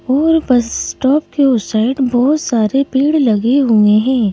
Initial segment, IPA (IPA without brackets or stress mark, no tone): ɔː